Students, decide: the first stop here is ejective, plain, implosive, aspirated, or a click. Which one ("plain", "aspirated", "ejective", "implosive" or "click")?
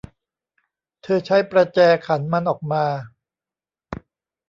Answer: aspirated